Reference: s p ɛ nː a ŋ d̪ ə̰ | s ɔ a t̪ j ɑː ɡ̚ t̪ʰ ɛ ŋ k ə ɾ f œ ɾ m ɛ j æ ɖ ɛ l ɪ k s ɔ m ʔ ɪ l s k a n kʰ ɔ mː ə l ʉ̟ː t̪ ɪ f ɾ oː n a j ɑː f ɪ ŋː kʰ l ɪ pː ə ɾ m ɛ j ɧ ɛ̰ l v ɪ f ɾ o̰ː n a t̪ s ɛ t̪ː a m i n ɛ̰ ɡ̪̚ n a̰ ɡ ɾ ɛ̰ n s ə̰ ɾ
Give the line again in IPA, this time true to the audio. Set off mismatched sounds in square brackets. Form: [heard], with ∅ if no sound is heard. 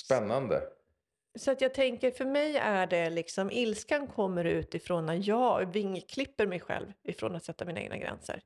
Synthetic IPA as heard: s p ɛ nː a [n] d̪ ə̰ | s ɔ a t̪ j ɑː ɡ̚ t̪ʰ ɛ ŋ k ə ɾ f œ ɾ m ɛ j æ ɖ ɛ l ɪ k s ɔ m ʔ ɪ l s k a n kʰ ɔ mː ə [ɾ] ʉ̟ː t̪ ɪ f ɾ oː n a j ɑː [v] ɪ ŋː kʰ l ɪ pː ə ɾ m ɛ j ɧ ɛ̰ l v ɪ f ɾ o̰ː n a t̪ s ɛ t̪ː a m i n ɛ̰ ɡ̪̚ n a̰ ɡ ɾ ɛ̰ n s ə̰ ɾ